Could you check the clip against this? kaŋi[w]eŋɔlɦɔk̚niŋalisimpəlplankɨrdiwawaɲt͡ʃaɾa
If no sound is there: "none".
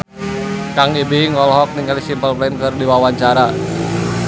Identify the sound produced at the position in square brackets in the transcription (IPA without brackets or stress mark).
b